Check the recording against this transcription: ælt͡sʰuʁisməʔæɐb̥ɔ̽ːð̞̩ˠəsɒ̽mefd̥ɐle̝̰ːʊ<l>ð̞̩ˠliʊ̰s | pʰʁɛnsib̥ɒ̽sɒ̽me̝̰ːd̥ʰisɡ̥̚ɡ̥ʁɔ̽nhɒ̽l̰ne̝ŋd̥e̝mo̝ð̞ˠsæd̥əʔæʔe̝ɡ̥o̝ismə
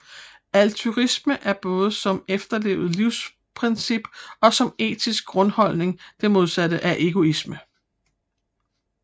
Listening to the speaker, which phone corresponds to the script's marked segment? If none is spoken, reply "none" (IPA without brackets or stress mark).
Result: none